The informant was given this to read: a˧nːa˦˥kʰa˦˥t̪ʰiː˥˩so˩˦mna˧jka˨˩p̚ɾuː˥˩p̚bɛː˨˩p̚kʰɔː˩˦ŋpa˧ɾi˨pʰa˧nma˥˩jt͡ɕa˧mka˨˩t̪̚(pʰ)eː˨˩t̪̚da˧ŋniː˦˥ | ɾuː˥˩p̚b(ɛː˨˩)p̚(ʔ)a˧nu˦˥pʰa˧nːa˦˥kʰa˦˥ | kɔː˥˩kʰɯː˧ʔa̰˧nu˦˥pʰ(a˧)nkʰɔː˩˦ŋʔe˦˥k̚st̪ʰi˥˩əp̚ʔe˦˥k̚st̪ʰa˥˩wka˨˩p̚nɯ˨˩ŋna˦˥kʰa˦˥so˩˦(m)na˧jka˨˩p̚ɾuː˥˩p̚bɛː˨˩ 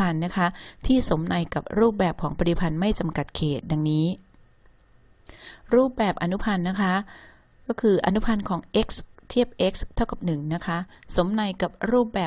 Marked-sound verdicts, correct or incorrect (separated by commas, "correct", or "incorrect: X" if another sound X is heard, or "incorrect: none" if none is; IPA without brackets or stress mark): incorrect: kʰ, correct, correct, correct, correct